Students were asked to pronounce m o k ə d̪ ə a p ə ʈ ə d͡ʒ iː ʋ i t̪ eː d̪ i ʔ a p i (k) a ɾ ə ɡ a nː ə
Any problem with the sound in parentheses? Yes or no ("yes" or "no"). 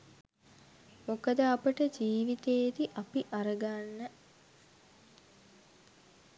yes